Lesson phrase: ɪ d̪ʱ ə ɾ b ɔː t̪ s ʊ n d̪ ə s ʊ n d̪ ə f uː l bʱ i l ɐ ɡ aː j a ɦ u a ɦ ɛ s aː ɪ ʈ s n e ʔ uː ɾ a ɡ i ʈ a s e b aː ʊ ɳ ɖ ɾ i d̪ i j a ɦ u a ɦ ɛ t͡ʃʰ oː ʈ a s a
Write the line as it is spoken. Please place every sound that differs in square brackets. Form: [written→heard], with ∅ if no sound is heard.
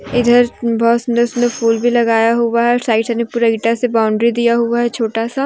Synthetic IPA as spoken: ɪ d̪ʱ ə ɾ b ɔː t̪ s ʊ n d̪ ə s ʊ n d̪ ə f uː l bʱ i l ɐ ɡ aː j a ɦ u a ɦ ɛ s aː ɪ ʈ s n e [ʔ→p] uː ɾ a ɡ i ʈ a s e b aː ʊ ɳ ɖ ɾ i d̪ i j a ɦ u a ɦ ɛ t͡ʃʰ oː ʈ a s a